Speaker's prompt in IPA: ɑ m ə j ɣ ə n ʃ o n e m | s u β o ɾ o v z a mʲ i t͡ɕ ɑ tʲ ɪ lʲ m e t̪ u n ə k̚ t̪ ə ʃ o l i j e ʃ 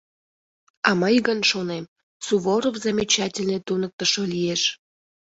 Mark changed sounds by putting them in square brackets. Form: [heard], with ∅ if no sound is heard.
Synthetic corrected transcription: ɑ m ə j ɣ ə n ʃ o n e m | s u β o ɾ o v z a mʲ i t͡ɕ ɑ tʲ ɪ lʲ [n] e t̪ u n ə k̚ t̪ ə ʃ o l i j e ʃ